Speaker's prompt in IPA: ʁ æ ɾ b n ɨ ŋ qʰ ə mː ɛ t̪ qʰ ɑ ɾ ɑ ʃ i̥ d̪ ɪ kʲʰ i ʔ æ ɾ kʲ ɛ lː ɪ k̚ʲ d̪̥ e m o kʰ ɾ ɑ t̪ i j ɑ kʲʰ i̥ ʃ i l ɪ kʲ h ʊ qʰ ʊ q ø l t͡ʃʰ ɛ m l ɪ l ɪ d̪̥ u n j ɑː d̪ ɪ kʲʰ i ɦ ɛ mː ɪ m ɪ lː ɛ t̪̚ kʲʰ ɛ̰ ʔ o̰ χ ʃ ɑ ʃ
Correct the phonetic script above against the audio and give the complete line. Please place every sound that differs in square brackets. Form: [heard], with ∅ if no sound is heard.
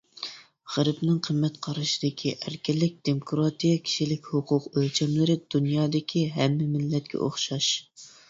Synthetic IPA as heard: ʁ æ ɾ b n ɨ ŋ qʰ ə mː ɛ t̪ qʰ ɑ ɾ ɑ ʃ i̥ d̪ ɪ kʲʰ i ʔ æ ɾ kʲ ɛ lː ɪ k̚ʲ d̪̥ e m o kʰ ɾ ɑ t̪ i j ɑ kʲʰ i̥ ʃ i l ɪ kʲ h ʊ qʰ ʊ q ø l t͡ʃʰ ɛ m l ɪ [ɾ] ɪ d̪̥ u n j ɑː d̪ ɪ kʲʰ i ɦ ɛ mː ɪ m ɪ lː ɛ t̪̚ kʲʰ ɛ̰ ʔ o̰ χ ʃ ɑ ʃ